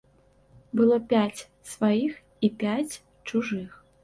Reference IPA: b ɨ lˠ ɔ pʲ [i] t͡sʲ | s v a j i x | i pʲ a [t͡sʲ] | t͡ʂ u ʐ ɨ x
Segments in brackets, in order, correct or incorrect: incorrect: a, correct

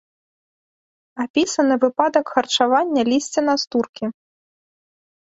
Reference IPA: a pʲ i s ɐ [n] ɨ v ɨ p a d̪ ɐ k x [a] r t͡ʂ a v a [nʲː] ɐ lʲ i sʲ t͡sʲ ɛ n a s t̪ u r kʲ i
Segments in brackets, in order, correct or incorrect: correct, incorrect: ɐ, correct

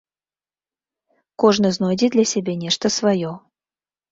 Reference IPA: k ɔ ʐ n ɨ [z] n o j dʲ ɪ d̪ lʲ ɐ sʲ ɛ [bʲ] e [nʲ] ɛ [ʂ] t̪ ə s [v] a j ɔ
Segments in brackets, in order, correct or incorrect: correct, correct, correct, correct, correct

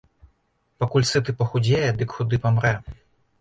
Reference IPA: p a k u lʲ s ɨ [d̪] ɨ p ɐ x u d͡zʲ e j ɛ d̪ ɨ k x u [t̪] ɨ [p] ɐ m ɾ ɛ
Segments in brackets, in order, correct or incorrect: incorrect: t̪, incorrect: d̪, correct

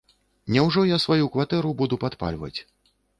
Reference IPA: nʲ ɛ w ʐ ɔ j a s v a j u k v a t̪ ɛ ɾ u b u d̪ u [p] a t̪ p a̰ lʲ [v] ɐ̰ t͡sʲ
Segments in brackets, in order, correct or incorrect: correct, correct

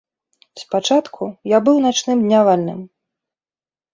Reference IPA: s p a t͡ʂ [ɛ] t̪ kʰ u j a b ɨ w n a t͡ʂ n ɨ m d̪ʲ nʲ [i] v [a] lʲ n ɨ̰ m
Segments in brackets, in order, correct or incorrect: incorrect: a, incorrect: a, correct

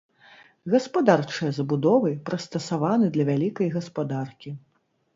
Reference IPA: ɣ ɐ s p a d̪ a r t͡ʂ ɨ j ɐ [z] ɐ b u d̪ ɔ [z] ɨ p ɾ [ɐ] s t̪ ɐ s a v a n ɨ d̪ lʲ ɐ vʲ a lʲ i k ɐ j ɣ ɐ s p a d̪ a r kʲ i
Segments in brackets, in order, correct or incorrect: correct, incorrect: v, correct

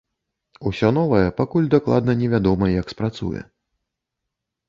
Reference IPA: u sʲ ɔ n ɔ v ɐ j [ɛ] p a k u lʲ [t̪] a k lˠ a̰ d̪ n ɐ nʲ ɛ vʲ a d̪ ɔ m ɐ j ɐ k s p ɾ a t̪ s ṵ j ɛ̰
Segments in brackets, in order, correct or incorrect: correct, incorrect: d̪

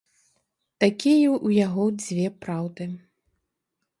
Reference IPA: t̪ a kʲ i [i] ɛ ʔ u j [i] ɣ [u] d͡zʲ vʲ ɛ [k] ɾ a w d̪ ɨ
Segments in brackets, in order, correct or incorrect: incorrect: j, incorrect: a, incorrect: ɔ, incorrect: p

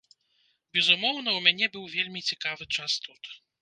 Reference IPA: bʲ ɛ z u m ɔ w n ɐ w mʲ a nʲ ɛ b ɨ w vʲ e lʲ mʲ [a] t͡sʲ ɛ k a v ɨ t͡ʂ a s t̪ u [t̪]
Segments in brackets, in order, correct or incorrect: incorrect: i, correct

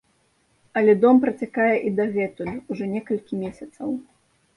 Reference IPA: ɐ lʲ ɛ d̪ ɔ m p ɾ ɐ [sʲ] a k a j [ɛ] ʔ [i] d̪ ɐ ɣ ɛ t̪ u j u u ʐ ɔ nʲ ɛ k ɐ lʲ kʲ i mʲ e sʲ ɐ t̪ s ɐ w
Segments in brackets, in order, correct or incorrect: incorrect: t͡sʲ, correct, correct

